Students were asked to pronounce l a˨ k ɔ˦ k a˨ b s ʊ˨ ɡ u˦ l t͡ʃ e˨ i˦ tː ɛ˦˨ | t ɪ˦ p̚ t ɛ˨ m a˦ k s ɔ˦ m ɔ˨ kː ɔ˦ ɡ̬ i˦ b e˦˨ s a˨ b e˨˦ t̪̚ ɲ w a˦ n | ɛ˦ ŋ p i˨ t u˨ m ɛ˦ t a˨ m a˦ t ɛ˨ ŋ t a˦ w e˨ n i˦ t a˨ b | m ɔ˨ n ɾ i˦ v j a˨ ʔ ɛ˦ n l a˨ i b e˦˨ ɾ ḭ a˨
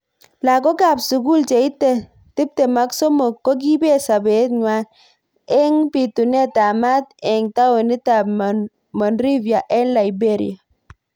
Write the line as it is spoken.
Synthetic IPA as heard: l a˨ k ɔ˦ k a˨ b s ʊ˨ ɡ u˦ l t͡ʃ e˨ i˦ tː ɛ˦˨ | t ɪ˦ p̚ t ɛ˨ m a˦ k s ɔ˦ m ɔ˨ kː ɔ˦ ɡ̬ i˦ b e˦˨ s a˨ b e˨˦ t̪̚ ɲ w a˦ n | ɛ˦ ŋ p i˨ t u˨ n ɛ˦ t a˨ m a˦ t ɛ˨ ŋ t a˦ w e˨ n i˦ t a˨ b | m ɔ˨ n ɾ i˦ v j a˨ ʔ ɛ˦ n l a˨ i b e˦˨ ɾ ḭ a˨

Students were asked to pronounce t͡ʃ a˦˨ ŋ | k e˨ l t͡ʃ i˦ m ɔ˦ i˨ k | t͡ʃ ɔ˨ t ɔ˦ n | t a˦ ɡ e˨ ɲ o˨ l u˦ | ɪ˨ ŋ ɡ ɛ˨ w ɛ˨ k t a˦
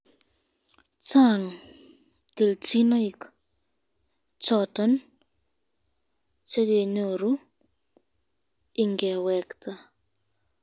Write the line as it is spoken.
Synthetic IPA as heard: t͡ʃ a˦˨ ŋ | k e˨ l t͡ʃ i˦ n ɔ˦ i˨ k | t͡ʃ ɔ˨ t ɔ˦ n | t͡ʃ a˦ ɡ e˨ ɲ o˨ ɾ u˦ | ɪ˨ ŋ ɡ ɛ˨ w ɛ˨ k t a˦

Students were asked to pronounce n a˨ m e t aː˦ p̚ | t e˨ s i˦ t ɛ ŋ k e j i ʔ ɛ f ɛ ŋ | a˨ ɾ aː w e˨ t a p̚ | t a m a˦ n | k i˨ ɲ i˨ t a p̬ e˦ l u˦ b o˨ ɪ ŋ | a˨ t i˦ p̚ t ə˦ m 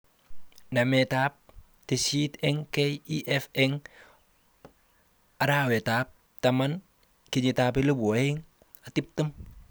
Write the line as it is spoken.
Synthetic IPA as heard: n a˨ m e t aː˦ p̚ | t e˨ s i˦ t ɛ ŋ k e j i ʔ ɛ f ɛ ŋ | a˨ ɾ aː w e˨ t a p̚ | t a m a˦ n | k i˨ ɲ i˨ t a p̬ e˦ l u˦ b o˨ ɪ ŋ | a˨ t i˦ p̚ t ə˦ m

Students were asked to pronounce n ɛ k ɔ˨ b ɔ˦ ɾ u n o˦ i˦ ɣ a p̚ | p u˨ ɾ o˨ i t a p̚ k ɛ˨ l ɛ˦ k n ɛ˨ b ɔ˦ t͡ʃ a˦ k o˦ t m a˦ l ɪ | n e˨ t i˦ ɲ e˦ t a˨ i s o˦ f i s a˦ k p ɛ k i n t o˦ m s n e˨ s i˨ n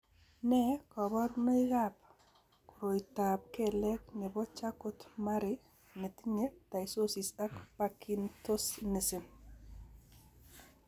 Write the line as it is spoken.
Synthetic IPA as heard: n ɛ k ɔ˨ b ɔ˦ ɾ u n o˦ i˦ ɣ a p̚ | k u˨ ɾ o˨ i t a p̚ k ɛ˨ l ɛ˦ k n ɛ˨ b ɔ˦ t͡ʃ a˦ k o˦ t m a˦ ɾ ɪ | n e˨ t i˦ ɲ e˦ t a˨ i s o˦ s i s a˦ k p a k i n t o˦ s n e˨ s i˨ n

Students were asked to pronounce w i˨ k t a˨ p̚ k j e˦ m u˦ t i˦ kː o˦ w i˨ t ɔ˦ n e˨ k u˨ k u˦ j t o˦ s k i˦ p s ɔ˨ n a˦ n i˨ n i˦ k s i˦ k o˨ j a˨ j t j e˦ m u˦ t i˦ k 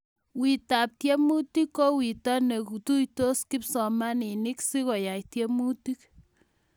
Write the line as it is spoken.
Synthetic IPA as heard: w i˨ t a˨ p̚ t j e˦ m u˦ t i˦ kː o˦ w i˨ t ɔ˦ n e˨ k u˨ t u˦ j t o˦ s k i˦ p s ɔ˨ m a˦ n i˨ n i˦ k s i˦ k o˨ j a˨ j t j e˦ m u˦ t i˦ k

